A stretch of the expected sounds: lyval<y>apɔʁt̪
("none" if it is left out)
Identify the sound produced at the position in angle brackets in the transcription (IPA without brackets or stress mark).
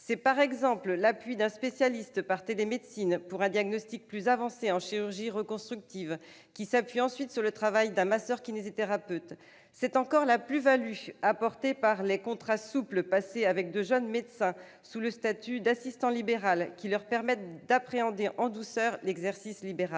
y